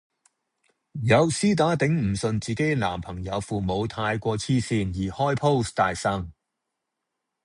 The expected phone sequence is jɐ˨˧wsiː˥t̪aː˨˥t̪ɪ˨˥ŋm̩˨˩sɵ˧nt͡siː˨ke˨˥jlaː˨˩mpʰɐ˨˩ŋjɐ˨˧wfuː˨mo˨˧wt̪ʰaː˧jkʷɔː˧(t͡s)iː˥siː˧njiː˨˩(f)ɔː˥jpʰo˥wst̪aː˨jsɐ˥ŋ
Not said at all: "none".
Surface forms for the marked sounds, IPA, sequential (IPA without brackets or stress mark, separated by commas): t͡sʰ, h